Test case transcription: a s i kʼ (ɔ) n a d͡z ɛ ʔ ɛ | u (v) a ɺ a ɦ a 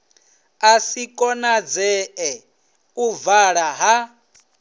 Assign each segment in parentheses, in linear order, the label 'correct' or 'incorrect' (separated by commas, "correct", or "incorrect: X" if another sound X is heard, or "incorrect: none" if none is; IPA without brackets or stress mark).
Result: correct, correct